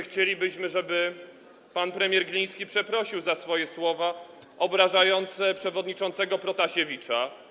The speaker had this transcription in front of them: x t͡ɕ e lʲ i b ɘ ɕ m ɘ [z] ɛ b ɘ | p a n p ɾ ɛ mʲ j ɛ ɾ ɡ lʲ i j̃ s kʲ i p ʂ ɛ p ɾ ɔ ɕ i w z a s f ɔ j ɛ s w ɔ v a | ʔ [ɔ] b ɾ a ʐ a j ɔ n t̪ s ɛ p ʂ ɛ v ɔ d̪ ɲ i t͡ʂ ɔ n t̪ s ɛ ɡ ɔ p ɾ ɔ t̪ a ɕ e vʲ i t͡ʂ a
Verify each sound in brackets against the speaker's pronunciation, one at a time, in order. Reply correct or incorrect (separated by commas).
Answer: incorrect, correct